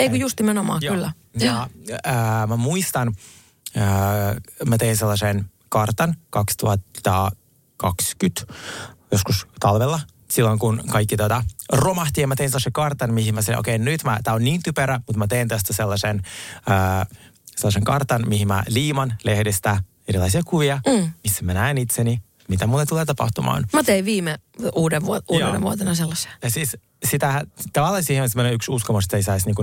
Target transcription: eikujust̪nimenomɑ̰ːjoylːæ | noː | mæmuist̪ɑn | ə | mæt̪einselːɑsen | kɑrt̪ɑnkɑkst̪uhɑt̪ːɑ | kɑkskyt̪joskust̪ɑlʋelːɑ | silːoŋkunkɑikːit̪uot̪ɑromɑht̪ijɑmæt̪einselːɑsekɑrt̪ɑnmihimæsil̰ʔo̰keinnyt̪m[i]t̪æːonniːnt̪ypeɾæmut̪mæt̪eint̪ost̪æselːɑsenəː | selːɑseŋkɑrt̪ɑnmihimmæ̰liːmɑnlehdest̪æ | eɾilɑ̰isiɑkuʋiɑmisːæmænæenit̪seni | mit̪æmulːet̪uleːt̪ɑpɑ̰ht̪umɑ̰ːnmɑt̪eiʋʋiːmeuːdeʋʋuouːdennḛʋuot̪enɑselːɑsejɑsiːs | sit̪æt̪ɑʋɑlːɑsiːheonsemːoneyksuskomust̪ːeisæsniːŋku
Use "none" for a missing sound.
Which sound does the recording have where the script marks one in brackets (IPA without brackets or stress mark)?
æ